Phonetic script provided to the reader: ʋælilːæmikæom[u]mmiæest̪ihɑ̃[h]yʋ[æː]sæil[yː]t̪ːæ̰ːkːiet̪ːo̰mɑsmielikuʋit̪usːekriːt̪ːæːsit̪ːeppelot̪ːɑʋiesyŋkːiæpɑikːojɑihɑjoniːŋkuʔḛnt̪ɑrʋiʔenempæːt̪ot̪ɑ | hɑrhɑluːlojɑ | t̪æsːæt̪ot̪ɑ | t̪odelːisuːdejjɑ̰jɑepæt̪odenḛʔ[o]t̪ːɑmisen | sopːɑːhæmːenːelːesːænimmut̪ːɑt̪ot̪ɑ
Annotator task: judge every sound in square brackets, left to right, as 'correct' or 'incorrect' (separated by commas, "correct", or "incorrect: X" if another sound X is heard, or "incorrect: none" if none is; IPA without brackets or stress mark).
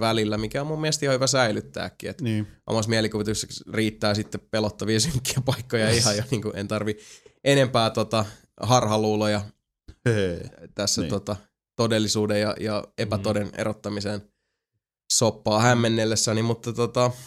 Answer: correct, correct, incorrect: æ, incorrect: y, correct